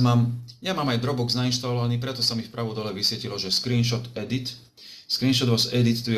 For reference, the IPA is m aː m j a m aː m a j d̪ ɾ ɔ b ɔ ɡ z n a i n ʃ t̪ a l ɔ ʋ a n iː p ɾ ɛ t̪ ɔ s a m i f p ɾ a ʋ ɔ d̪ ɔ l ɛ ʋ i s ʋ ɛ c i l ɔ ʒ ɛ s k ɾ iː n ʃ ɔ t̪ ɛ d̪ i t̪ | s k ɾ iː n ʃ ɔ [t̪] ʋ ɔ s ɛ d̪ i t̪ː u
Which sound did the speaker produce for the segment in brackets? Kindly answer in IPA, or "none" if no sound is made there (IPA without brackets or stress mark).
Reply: d̪